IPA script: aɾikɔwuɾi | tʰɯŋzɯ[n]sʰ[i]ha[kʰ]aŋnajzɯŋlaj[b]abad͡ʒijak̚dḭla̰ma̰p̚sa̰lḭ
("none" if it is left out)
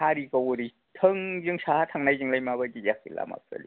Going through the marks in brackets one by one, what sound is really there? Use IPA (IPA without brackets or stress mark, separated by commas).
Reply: ŋ, a, tʰ, m